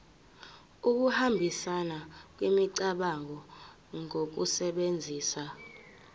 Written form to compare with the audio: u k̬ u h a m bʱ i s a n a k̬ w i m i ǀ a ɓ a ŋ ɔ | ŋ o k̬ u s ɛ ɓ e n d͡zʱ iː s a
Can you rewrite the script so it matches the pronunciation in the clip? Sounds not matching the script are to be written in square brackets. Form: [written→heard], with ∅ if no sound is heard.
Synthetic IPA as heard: u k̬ u h a m bʱ i s a n a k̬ w i m i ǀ a ɓ a ŋ ɔ | ŋ o k̬ u s ɛ ɓ e n d͡zʱ iː s a

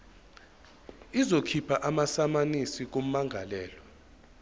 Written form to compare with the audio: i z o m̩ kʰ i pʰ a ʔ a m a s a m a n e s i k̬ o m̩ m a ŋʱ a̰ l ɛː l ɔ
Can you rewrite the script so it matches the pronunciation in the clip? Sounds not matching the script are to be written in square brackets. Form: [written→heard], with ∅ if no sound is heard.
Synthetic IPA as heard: i z o [m̩→∅] kʰ i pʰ a ʔ a m a s a m a n [e→i] s i k̬ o m̩ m a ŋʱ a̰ l ɛː l ɔ

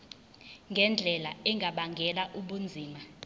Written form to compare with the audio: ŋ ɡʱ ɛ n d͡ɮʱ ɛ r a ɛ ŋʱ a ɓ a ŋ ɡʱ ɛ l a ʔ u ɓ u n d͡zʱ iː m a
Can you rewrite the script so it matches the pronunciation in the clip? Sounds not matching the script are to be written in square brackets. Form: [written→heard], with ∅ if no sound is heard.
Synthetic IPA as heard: ŋ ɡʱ ɛ n d͡ɮʱ ɛ [r→l] a ɛ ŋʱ a ɓ a ŋ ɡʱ ɛ l a ʔ u ɓ u n d͡zʱ iː m a

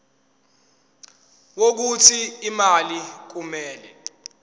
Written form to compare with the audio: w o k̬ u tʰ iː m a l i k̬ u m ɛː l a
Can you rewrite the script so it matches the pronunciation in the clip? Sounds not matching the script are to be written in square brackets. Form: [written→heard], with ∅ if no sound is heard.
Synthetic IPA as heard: w o k̬ u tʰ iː m a l i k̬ u m ɛː l [a→ɛ]

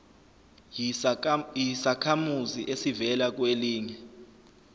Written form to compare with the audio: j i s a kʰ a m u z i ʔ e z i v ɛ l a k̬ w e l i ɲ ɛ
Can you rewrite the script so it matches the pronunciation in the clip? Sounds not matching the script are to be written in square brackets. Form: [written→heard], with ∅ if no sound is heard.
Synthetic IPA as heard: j i s a kʰ a m u z i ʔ e [z→s] i v ɛ l a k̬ w e l [i→iː] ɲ ɛ

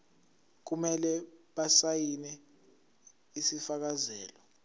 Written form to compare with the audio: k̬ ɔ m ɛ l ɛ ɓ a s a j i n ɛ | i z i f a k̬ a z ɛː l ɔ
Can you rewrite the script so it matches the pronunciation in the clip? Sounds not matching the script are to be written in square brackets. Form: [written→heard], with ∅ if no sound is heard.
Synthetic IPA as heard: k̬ [ɔ→u] m ɛ l ɛ ɓ a s a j i n ɛ | i [z→s] i f a k̬ a z ɛː l ɔ

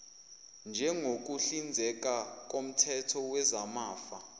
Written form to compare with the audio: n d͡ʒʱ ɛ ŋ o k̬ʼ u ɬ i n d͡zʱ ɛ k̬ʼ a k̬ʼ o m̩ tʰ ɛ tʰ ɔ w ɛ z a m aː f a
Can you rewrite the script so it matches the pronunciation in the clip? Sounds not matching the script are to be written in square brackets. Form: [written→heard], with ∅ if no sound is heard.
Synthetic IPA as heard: n d͡ʒʱ ɛ ŋ o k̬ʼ u ɬ i n d͡zʱ ɛ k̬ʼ a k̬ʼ o m̩ tʰ ɛ tʰ ɔ w ɛ z a m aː f a

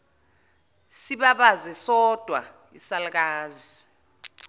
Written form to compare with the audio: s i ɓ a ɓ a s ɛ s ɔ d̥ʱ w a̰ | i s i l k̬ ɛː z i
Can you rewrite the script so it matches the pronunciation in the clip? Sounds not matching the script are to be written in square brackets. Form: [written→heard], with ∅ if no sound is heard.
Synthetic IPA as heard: s i ɓ a ɓ a [s→z] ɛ s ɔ d̥ʱ w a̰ | i s [i→a] l k̬ [ɛː→aː] z i

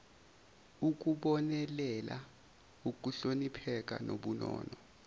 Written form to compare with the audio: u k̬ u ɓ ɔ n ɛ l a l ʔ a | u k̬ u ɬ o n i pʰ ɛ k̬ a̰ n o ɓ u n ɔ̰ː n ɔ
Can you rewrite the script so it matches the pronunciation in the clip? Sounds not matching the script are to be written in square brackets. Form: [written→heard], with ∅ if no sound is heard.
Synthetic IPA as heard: u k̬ u ɓ ɔ n ɛ l [a→ɛ] l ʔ a | u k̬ u ɬ o n i pʰ ɛ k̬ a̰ n o ɓ u n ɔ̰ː n ɔ

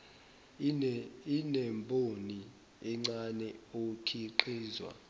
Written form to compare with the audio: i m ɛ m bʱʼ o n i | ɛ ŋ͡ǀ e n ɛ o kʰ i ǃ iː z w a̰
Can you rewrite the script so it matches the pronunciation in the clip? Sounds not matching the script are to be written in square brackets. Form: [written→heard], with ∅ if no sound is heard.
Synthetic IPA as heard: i [m→n] ɛ m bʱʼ o n i | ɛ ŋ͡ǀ [e→a] n ɛ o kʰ i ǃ iː z w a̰

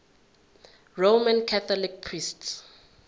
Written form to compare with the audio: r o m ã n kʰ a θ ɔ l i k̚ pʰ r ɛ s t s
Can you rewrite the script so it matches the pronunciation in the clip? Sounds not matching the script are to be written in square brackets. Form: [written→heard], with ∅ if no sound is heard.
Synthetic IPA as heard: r o m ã n kʰ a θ ɔ l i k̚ pʰ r [ɛ→i] s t s

